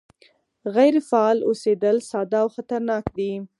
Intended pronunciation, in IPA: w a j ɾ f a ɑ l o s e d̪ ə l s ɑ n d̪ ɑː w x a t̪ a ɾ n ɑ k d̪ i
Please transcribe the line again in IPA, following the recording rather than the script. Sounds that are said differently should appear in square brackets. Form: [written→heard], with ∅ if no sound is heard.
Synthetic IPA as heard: [w→ɣ] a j ɾ f a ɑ l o s e d̪ ə l s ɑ [n→∅] d̪ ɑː w x a t̪ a ɾ n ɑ k d̪ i